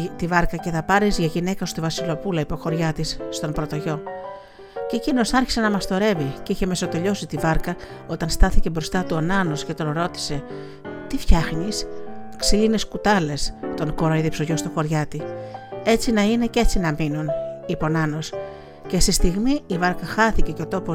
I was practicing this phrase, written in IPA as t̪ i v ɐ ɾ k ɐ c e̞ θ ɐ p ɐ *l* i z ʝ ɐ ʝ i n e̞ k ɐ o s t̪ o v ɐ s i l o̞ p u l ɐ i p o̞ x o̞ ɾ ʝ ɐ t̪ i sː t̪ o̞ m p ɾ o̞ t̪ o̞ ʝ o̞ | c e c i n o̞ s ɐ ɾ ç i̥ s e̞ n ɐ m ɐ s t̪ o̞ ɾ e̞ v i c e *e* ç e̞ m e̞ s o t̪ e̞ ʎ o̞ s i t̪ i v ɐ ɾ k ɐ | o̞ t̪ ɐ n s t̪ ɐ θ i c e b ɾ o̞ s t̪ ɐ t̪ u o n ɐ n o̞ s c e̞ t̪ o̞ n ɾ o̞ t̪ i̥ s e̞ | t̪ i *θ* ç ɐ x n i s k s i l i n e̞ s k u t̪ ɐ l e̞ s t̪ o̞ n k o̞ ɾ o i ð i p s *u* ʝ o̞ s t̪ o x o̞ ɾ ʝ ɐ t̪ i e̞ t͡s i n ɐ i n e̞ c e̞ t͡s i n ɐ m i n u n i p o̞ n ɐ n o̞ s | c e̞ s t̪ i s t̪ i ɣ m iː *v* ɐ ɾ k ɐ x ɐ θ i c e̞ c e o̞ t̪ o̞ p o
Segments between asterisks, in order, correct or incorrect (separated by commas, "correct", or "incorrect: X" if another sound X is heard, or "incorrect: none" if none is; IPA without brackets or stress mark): incorrect: ɾ, incorrect: i, incorrect: f, incorrect: o, correct